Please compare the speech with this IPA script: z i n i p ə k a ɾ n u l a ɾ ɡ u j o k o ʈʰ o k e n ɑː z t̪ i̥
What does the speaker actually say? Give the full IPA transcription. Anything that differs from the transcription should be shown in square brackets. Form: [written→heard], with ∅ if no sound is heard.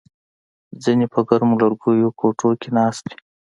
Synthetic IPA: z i n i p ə [k→ɡ] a ɾ [n→m] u l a ɾ ɡ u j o k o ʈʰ o k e n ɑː [z→s] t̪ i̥